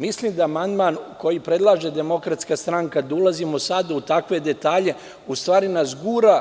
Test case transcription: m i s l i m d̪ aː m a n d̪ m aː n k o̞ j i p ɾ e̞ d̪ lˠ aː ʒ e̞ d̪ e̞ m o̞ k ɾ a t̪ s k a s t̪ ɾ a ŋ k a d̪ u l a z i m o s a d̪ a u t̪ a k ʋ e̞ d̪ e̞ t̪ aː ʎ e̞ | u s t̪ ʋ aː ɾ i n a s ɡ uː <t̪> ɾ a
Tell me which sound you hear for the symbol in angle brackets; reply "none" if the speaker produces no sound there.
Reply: none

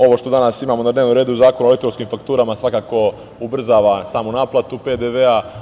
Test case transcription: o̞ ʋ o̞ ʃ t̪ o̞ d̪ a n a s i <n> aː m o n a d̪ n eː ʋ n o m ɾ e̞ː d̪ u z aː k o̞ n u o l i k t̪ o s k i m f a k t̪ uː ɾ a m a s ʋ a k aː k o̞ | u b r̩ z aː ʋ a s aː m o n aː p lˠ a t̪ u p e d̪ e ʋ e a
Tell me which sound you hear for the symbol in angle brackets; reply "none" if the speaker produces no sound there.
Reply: m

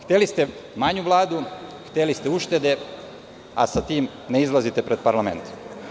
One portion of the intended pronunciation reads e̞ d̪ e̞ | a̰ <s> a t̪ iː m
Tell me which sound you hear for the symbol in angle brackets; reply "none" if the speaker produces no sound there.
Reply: s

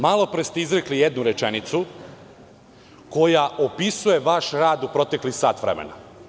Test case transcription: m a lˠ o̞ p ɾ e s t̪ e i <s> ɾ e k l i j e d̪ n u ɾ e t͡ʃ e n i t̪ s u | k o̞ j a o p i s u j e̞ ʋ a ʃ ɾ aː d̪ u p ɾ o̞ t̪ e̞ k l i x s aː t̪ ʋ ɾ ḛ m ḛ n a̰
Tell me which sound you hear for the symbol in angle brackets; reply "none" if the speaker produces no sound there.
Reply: z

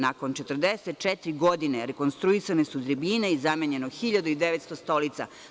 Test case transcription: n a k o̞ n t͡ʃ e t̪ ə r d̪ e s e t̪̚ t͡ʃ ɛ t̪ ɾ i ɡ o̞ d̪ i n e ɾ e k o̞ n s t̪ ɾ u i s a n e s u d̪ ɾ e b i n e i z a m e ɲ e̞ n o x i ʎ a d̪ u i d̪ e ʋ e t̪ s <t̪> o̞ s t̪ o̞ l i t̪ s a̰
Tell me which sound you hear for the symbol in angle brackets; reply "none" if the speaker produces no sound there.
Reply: t̪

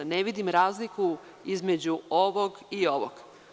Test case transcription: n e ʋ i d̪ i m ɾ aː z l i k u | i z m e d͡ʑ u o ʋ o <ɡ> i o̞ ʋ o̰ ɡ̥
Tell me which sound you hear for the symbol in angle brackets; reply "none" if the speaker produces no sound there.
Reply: ɡ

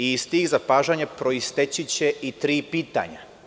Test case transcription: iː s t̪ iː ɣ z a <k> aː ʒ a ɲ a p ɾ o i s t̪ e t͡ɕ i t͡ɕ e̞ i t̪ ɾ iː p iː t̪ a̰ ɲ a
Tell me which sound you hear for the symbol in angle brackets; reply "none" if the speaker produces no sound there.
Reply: p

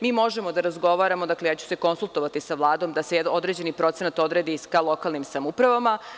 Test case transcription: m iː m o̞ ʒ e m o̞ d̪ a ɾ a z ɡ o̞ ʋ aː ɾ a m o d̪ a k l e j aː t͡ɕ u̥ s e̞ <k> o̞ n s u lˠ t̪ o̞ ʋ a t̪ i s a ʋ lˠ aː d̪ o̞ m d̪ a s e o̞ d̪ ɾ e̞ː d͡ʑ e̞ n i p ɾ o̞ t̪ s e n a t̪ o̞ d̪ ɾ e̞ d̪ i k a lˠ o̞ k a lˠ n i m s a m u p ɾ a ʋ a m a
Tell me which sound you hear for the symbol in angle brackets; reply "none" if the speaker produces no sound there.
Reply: k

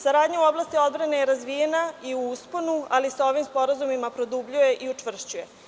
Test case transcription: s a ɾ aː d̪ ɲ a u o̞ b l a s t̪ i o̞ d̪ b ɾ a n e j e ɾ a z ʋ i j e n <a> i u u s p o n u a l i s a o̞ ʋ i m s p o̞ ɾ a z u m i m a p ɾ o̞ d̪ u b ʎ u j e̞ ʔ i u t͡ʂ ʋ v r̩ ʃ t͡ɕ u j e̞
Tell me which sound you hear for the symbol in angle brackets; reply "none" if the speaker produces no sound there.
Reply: a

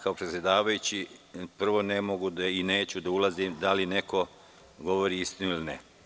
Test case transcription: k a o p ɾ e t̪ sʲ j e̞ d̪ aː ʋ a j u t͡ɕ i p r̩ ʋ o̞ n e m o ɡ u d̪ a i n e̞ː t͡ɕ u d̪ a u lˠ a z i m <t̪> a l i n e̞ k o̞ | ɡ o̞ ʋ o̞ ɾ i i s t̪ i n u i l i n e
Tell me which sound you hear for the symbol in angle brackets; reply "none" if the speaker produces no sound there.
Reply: d̪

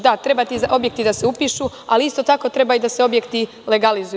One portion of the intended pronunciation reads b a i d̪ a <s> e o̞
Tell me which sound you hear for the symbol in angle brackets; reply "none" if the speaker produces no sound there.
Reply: s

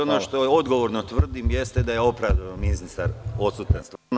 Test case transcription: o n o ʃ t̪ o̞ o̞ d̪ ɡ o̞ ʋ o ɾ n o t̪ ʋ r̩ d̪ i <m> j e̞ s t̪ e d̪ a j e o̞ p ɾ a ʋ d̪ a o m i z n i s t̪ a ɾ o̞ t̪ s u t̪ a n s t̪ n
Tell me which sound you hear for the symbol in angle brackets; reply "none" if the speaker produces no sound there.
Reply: m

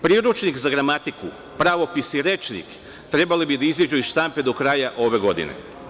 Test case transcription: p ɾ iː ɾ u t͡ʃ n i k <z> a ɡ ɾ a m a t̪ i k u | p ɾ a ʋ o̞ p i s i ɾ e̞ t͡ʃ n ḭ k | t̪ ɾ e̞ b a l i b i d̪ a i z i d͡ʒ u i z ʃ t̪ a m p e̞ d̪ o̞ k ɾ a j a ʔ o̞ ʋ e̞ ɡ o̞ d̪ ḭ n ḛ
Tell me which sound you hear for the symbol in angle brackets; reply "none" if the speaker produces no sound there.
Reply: z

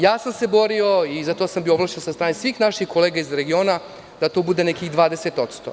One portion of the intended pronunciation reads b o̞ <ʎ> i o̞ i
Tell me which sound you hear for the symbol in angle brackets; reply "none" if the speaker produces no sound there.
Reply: ɾ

